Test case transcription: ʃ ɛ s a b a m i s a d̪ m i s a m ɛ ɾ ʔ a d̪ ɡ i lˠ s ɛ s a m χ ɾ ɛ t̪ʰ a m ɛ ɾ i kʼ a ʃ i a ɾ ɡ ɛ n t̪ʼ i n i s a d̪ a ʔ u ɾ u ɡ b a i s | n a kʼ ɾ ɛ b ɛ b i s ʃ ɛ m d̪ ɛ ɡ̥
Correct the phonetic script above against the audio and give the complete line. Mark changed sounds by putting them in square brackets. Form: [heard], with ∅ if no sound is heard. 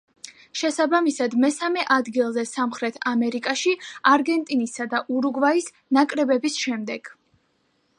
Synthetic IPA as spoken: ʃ ɛ s a b a m i s a d̪ m [ɛ] s a m ɛ [∅] ʔ a d̪ ɡ i lˠ [z] ɛ s a m χ ɾ ɛ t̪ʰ a m ɛ ɾ i kʼ a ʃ i a ɾ ɡ ɛ n t̪ʼ i n i s a d̪ a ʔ u ɾ u ɡ [v] a i s | n a kʼ ɾ ɛ b ɛ b i s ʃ ɛ m d̪ ɛ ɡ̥